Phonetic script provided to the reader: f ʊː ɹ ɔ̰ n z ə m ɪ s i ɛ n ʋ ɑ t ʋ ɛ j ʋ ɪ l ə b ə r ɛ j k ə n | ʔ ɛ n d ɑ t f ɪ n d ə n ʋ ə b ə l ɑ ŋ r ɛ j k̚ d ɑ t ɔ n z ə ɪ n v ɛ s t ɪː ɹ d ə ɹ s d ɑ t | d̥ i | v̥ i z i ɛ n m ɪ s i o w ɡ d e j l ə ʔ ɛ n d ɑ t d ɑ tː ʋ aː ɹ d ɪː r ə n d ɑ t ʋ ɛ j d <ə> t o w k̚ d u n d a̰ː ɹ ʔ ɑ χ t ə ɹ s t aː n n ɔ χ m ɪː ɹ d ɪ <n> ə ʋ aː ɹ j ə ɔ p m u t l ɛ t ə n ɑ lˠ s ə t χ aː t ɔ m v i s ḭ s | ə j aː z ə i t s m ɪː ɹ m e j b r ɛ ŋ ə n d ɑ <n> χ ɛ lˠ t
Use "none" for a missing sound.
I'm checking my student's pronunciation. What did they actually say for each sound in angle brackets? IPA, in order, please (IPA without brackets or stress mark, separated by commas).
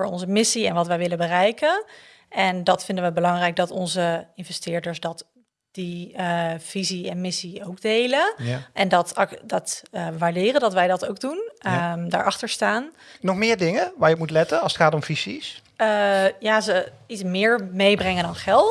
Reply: ɑ, ŋ, n